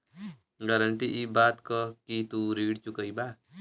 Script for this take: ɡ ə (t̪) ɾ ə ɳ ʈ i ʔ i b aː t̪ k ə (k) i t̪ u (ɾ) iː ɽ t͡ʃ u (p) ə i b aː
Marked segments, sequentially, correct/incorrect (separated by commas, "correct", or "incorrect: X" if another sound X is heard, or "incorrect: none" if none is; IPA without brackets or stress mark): incorrect: none, correct, correct, incorrect: k